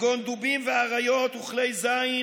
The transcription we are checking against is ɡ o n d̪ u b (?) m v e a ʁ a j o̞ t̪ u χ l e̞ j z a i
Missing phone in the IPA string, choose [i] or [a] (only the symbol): i